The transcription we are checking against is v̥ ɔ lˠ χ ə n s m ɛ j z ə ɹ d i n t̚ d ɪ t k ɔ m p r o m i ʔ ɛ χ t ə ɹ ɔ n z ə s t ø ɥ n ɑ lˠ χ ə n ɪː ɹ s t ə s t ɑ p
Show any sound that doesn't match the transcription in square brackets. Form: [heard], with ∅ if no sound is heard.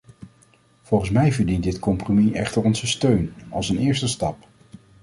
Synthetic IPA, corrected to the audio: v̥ ɔ lˠ χ ə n s m ɛ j [v] ə ɹ d i n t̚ d ɪ t k ɔ m p r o m i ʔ ɛ χ t ə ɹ ɔ n z ə s t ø ɥ n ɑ lˠ [s] ə n ɪː ɹ s t ə s t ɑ p